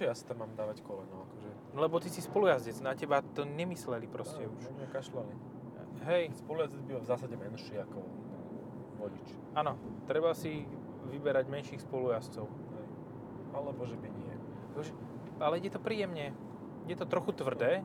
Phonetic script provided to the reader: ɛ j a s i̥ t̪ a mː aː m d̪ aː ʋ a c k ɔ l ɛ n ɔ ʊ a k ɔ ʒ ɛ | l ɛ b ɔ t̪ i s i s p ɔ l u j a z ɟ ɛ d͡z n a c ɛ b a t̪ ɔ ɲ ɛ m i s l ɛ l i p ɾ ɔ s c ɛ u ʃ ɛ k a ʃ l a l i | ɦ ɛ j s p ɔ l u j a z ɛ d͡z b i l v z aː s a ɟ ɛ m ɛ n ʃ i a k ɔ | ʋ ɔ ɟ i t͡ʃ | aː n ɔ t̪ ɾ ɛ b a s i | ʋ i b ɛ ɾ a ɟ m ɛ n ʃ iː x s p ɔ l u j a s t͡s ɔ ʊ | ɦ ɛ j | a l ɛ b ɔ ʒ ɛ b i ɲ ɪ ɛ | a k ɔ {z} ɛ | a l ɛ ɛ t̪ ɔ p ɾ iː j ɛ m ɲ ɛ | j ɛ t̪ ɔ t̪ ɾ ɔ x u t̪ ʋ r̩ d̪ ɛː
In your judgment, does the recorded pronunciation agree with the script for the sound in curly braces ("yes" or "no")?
no